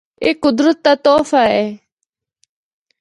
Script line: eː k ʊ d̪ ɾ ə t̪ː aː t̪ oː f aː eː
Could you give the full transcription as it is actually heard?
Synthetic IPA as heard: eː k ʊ d̪ ɾ ə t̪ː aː t̪ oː f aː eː